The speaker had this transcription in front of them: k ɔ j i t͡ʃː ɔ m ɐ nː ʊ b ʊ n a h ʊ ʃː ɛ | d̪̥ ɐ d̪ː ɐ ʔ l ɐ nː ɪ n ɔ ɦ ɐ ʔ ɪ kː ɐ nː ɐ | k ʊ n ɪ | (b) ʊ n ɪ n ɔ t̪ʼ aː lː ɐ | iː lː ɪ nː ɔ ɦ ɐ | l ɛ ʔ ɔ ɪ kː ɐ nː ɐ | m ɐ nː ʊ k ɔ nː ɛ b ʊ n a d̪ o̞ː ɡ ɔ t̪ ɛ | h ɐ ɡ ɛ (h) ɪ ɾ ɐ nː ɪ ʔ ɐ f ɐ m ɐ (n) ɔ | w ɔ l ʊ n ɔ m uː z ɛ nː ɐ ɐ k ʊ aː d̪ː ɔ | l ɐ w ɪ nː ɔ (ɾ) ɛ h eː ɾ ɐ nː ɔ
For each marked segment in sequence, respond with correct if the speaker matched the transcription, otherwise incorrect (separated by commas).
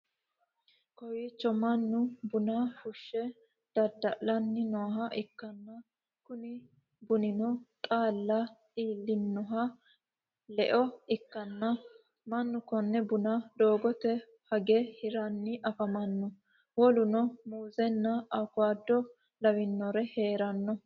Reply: correct, correct, incorrect, correct